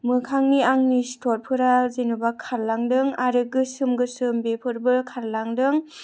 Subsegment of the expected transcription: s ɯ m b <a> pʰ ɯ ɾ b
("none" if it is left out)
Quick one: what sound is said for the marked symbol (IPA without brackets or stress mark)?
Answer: e